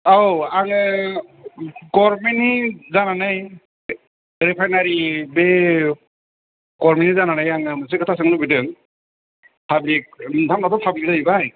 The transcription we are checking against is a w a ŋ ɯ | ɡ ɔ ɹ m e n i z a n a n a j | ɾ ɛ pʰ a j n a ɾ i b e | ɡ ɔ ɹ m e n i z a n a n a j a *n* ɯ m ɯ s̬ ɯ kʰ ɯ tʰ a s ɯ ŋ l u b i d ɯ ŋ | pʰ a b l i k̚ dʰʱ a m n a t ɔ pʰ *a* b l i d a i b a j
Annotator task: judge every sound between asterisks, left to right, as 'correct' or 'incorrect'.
incorrect: ŋ, correct

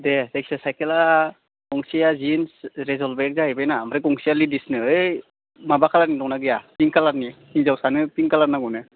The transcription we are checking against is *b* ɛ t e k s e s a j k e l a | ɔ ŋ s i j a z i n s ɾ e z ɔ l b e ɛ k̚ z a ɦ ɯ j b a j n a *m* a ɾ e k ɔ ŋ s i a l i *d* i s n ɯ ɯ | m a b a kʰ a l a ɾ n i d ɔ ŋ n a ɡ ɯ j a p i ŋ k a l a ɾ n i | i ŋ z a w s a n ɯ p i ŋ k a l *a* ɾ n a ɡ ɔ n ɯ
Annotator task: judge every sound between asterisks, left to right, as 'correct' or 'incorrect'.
incorrect: d, correct, correct, correct

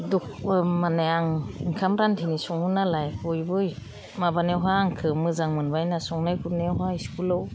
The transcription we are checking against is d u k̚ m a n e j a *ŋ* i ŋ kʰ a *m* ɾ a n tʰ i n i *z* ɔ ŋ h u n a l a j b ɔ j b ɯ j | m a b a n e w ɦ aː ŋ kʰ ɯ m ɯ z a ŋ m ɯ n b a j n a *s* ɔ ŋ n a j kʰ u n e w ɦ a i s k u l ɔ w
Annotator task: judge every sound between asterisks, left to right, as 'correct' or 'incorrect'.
correct, correct, incorrect: s, correct

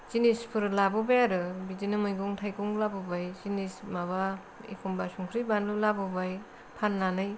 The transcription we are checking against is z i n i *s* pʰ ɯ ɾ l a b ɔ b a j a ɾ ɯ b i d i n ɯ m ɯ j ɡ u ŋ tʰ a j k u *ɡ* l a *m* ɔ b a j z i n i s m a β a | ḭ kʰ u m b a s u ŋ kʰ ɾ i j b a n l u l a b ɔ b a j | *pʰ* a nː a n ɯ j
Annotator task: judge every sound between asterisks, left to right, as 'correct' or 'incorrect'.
correct, incorrect: ŋ, incorrect: b, correct

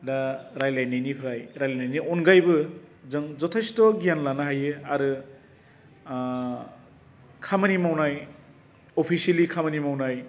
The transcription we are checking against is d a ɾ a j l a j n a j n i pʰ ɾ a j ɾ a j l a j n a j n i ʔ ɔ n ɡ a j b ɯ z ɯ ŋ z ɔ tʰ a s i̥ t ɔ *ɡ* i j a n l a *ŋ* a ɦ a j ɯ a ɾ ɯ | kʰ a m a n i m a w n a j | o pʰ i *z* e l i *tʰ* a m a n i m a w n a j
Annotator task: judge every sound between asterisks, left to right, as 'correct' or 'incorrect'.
correct, incorrect: n, incorrect: s, incorrect: kʰ

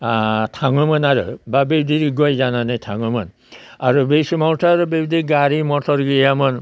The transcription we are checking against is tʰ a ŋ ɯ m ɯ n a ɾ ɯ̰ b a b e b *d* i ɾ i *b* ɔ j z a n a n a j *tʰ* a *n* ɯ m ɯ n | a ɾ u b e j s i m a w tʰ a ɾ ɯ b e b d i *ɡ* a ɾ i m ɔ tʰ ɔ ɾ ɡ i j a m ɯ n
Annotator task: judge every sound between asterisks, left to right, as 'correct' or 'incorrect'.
correct, incorrect: ɡ, correct, incorrect: ŋ, correct

